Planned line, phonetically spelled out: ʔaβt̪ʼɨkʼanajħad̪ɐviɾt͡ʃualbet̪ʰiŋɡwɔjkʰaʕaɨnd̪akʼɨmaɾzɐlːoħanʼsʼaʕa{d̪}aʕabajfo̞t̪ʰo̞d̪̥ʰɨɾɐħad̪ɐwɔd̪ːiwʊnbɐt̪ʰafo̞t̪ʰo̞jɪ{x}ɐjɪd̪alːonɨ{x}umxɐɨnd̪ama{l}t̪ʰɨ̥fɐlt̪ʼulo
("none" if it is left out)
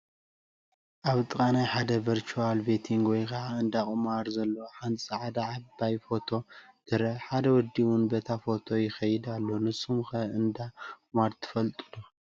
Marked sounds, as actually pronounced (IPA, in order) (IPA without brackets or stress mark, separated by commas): d̪, x, s, ɾ